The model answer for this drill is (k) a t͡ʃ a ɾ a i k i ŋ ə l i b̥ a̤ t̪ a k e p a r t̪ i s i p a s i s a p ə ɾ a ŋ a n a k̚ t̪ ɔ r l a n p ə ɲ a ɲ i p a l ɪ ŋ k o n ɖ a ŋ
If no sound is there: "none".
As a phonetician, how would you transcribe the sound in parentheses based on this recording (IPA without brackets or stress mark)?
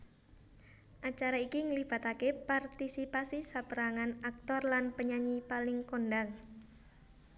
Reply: ʔ